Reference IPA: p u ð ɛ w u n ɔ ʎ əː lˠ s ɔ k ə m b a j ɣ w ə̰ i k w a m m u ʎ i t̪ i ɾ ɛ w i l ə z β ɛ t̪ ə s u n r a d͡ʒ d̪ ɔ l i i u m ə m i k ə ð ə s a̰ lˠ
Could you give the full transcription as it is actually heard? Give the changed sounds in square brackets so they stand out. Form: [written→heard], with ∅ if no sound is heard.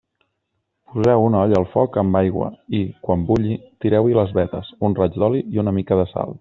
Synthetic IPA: p u [ð→z] ɛ w u n ɔ ʎ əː lˠ [s→f] ɔ k ə m b a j ɣ w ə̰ i k w a m [m→b] u ʎ i t̪ i ɾ ɛ w i l ə z β ɛ t̪ ə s u n r a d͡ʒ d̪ ɔ l i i u [m→n] ə m i k ə ð ə s a̰ lˠ